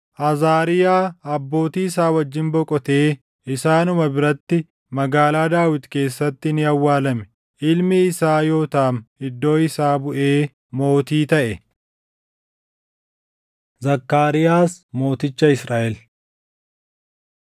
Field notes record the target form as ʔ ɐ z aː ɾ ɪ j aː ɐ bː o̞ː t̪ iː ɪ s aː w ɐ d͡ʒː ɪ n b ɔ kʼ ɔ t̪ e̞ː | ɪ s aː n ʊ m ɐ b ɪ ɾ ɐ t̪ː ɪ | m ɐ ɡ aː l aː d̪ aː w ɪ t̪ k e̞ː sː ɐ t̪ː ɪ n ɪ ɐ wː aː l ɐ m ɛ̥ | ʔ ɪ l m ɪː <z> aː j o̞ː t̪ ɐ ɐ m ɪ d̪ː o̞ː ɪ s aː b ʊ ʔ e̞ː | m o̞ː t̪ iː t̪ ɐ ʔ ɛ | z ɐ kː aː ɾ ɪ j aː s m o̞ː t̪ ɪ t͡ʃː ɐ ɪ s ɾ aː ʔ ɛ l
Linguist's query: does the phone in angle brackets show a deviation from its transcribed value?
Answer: yes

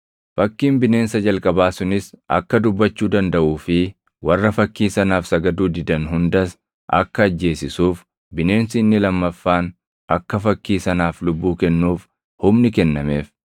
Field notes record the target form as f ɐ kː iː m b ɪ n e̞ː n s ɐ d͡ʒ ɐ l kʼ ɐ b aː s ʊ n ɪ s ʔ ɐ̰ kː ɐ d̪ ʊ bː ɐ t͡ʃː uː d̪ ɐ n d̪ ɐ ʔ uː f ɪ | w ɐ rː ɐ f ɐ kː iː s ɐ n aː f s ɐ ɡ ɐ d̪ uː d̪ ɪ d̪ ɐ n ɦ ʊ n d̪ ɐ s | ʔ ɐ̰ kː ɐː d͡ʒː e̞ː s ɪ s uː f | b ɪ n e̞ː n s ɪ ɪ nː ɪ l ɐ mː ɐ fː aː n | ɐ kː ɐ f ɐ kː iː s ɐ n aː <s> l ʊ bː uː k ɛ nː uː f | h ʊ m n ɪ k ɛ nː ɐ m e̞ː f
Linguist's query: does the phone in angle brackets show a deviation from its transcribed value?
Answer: yes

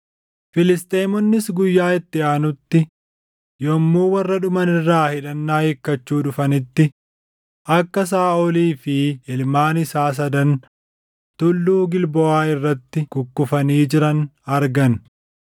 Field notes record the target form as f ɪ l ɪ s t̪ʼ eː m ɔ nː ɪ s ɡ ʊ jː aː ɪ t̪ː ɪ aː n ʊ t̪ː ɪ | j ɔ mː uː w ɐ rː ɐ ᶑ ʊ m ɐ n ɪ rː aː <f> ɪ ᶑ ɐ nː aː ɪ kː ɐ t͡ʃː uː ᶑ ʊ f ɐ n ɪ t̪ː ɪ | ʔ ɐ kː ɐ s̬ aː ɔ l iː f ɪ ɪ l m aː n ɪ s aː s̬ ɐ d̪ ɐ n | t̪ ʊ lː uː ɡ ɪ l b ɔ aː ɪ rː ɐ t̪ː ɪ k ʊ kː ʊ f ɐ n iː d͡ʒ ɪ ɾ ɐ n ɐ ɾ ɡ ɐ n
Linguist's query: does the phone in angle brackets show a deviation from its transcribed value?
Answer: yes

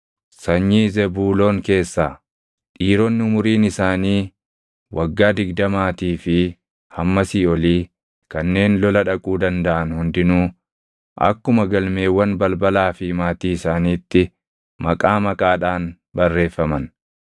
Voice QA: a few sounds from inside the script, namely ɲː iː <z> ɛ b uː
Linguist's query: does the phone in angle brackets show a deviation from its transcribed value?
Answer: no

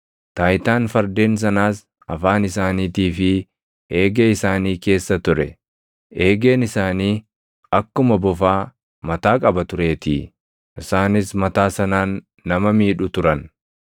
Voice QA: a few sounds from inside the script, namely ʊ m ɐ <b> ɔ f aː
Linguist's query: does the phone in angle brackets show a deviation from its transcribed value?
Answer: no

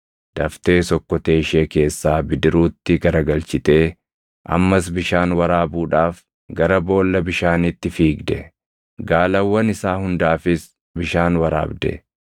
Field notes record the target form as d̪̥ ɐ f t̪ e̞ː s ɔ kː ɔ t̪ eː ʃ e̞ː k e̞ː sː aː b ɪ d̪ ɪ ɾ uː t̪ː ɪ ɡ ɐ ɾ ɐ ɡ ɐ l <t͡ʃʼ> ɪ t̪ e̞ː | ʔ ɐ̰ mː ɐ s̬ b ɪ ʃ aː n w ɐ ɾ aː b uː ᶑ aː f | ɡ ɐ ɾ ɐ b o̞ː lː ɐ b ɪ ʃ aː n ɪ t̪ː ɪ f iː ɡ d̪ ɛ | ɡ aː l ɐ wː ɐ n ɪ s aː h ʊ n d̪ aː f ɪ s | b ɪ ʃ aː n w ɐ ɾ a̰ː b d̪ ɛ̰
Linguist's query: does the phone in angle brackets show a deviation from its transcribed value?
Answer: yes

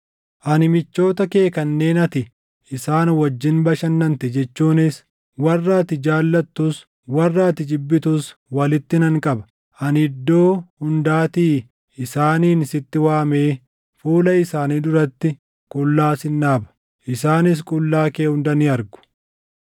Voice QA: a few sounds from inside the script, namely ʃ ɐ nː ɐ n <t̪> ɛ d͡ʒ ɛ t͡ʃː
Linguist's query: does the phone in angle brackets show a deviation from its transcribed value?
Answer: no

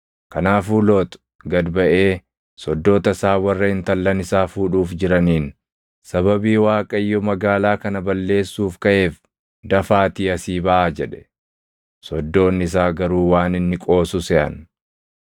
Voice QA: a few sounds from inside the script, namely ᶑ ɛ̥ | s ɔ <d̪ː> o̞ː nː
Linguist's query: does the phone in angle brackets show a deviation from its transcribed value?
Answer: no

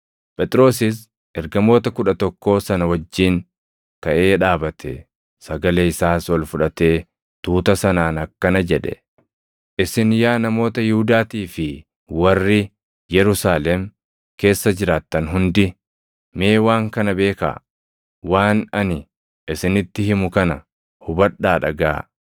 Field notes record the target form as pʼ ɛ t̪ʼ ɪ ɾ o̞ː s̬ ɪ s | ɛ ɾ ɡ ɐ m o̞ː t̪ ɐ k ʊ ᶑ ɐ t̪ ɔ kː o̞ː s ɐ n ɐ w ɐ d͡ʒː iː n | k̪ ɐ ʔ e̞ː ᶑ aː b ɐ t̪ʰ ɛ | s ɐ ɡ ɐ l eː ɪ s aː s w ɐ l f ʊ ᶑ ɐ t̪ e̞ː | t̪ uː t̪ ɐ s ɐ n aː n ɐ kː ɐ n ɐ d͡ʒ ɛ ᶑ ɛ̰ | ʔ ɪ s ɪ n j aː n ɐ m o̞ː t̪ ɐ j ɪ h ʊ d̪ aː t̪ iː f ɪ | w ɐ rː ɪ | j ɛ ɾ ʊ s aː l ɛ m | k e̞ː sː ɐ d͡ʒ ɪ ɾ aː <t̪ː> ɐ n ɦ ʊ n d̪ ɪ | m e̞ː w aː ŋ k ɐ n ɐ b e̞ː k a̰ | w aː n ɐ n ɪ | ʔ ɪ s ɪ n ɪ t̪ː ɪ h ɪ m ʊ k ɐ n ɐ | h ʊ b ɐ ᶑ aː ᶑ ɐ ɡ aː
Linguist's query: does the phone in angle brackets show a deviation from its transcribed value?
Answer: no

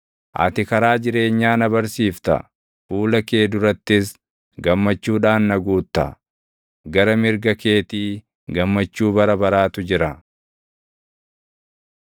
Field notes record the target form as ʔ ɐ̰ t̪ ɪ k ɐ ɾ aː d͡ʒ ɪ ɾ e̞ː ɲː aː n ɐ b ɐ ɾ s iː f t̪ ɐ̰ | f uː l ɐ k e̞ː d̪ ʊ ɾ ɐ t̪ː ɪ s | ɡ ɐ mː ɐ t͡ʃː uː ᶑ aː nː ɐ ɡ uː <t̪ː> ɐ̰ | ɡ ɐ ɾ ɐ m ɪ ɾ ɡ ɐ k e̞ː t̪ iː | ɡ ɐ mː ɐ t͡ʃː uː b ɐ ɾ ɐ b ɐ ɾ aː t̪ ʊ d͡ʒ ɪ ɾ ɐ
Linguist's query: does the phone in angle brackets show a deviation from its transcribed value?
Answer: no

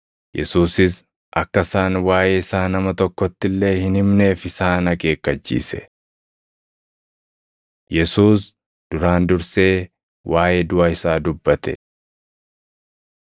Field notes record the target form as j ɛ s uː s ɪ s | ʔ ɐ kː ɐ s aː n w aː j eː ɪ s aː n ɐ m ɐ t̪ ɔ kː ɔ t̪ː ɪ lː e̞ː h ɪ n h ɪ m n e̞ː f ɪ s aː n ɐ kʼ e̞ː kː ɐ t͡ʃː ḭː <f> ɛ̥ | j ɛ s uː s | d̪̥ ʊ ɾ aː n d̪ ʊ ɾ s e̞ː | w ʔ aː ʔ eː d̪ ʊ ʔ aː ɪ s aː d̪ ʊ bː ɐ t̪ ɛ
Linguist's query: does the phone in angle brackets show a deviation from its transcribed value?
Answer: yes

